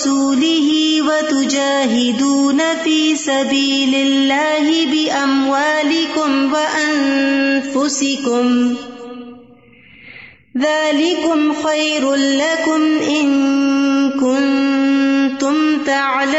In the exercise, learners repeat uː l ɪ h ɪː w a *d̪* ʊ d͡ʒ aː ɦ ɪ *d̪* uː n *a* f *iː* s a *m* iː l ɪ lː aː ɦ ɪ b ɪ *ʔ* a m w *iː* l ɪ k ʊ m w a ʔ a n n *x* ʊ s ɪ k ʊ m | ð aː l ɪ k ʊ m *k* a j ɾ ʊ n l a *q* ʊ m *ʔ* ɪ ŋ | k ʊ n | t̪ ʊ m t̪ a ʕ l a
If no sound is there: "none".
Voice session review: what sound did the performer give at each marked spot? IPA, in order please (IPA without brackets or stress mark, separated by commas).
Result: t̪, d̪, a, iː, b, ʔ, aː, f, x, k, ʔ